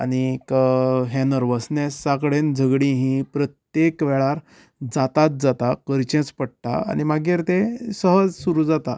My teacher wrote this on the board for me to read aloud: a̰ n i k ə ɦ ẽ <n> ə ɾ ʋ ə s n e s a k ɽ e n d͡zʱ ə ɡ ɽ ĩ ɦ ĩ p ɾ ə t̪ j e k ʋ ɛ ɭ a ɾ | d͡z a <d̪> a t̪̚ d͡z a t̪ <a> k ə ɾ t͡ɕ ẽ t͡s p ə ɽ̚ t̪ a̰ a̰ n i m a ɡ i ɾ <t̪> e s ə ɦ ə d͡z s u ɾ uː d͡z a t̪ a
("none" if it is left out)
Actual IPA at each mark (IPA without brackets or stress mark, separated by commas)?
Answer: n, t̪, a, t̪